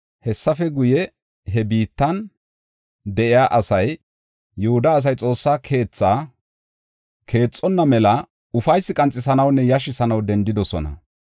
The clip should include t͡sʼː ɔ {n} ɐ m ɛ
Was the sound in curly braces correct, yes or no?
no